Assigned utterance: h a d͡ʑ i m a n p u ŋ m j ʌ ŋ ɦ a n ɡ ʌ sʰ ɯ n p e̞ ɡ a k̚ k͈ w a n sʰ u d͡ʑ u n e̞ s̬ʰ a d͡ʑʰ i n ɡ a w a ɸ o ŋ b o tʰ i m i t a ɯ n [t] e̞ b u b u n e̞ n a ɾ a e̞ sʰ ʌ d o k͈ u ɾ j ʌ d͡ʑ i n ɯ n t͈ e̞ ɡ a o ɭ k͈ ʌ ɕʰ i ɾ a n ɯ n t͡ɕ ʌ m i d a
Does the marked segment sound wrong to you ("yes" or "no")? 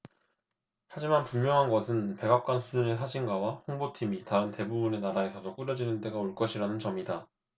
no